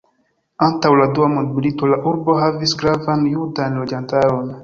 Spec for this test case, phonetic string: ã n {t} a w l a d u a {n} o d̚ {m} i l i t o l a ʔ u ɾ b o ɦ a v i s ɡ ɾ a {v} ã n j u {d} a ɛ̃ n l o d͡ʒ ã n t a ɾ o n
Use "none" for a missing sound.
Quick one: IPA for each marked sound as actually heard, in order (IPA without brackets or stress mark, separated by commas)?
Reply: t, m, m, v, d